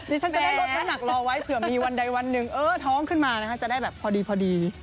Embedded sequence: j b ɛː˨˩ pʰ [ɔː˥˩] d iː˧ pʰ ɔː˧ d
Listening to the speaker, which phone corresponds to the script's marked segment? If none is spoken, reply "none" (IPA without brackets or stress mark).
ɔː˧